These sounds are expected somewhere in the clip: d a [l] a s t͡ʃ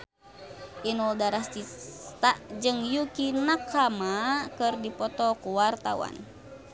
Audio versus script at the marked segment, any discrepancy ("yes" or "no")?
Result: yes